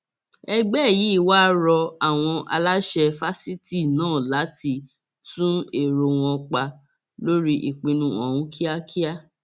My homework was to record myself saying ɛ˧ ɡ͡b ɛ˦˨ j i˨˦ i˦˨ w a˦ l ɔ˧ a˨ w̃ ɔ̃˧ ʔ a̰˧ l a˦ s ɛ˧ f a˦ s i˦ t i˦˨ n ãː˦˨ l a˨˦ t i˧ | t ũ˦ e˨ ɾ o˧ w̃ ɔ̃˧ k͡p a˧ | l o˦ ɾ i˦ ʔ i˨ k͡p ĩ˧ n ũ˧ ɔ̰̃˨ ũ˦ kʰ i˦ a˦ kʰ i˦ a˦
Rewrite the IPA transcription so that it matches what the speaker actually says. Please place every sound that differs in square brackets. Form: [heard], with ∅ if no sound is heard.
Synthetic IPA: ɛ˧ ɡ͡b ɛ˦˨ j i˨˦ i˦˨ w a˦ [ɾ] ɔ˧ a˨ w̃ ɔ̃˧ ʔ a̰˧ l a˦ [ʃ] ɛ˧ f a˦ s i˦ t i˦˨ n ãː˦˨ l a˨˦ t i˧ | t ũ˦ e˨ ɾ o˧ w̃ ɔ̃˧ k͡p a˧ | l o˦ ɾ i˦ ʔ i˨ k͡p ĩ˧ n ũ˧ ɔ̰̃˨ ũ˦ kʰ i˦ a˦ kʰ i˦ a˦